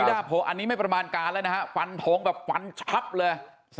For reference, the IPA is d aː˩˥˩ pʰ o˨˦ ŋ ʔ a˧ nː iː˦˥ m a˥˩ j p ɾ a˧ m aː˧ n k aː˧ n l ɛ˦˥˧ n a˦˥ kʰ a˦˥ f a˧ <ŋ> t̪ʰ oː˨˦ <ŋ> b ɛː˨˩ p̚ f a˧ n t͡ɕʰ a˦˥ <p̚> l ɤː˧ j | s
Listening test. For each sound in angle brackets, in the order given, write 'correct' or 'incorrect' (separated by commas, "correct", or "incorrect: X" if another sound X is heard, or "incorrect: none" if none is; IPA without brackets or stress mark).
incorrect: n, correct, correct